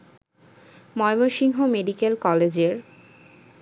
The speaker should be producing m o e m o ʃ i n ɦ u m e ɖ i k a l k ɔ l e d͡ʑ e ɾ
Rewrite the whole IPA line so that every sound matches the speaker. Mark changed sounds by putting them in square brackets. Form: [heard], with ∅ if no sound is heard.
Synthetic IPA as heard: m [ɔ] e m o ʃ i [ŋ] ɦ [o] m e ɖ i k [e] l k ɔ l e d͡ʑ e ɾ